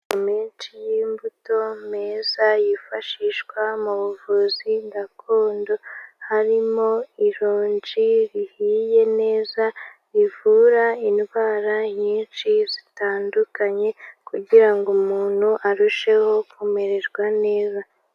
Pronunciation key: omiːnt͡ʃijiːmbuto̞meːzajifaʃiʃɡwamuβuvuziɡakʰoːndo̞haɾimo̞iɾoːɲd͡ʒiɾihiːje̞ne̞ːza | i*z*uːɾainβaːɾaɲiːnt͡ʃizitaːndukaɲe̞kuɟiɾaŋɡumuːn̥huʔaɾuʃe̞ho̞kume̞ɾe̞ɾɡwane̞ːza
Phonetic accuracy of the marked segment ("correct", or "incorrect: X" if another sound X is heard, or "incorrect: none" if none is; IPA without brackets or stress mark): incorrect: v